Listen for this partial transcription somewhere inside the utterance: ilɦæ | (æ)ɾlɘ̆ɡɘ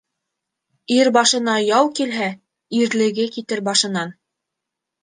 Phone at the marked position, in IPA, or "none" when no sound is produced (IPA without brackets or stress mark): i